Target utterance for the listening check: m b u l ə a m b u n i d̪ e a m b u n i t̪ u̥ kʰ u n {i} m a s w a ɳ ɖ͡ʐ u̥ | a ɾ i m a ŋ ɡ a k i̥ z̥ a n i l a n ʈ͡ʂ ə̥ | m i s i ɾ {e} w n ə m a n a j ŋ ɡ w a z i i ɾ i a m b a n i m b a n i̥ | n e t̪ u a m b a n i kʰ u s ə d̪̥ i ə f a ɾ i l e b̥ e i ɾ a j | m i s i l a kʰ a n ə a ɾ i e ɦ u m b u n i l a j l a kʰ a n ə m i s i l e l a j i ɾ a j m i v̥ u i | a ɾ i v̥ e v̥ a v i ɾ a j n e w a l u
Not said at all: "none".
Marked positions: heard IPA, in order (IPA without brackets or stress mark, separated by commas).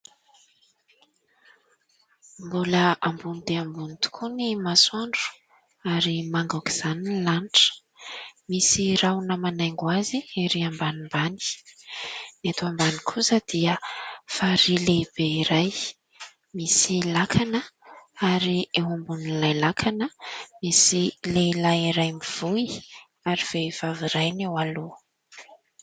i, a